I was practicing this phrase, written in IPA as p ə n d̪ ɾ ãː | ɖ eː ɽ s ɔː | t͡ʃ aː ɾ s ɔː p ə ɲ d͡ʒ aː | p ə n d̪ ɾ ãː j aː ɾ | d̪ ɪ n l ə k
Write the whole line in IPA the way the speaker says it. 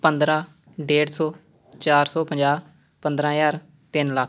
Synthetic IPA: p ə n d̪ ɾ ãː | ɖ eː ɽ s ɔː | t͡ʃ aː ɾ s ɔː p ə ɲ d͡ʒ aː | p ə n d̪ ɾ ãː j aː ɾ | t̪ ɪ n l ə k